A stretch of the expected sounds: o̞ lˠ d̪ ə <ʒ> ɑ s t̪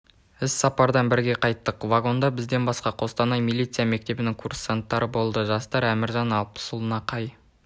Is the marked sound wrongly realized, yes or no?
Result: no